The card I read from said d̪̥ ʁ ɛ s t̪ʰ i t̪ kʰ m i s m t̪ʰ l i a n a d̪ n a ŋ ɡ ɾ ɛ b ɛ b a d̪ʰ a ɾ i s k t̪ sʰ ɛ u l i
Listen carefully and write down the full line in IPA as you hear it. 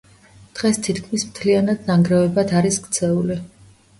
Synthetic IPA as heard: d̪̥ ʁ ɛ s t̪ʰ i t̪ kʰ m i s m t̪ʰ l i a n a d̪ n a ŋ ɡ ɾ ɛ v ɛ b a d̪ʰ a ɾ i s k t̪ sʰ ɛ u l i